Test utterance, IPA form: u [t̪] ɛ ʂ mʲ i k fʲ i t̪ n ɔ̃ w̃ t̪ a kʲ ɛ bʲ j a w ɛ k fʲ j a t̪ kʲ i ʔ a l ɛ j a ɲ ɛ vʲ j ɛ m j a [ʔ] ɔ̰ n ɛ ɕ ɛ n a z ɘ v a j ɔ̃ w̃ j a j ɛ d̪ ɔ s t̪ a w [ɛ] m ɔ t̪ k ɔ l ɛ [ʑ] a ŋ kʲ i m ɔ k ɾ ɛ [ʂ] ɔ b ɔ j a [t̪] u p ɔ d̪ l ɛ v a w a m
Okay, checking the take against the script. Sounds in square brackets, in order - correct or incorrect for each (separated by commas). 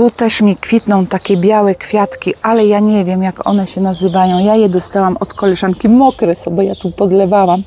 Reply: correct, incorrect, incorrect, incorrect, incorrect, correct